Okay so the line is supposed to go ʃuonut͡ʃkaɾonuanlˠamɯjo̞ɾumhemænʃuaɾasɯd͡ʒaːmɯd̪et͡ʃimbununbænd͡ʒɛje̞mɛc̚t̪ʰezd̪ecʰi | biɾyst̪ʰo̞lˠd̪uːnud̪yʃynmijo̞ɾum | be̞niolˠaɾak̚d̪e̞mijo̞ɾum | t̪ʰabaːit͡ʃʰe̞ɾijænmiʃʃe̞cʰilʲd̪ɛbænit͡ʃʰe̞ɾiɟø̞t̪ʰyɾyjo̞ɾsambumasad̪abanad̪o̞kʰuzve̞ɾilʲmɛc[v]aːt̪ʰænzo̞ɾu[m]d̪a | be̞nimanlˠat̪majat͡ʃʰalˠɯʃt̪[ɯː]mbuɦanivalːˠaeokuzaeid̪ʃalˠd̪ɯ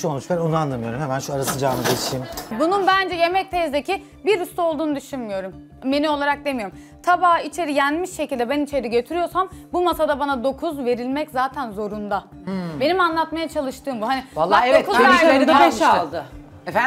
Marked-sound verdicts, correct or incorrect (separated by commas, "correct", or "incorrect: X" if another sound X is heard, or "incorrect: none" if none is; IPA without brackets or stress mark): incorrect: z, incorrect: n, correct